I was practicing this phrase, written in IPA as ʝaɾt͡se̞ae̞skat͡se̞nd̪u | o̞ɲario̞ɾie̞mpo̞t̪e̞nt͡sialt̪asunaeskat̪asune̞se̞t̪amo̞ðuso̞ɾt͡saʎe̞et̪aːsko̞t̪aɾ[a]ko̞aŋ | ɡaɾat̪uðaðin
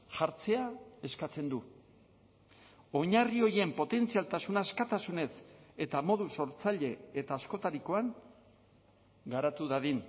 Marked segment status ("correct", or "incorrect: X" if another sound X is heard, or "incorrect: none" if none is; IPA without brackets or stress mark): incorrect: i